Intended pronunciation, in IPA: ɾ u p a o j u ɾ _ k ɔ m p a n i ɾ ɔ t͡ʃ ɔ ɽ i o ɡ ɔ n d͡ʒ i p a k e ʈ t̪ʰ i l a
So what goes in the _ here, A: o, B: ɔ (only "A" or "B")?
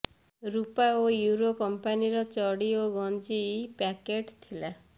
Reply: A